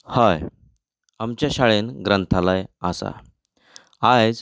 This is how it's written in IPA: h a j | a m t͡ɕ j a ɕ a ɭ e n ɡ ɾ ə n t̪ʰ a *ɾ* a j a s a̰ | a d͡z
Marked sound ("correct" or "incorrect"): incorrect